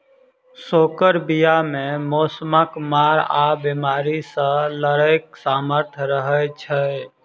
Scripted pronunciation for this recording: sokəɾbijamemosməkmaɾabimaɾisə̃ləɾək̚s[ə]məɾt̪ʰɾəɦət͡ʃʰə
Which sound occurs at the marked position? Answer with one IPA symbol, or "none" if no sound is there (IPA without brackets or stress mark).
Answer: a